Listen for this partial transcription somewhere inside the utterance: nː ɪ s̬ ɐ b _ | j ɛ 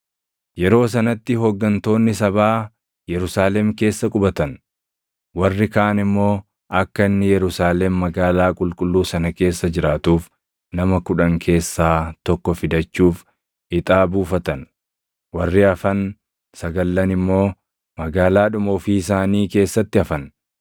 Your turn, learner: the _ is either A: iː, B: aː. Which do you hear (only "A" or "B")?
B